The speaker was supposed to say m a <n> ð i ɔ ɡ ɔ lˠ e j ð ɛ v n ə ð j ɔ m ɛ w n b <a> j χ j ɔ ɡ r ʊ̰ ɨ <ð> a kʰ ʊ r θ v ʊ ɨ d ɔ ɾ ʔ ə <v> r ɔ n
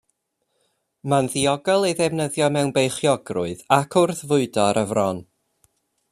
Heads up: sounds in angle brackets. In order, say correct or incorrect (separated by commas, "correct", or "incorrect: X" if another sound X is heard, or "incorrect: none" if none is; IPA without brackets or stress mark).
correct, incorrect: e, correct, correct